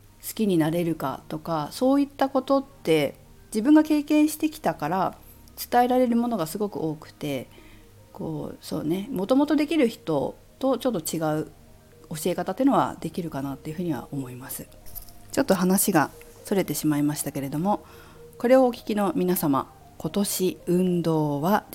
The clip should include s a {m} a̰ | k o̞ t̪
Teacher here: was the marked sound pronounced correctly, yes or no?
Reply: yes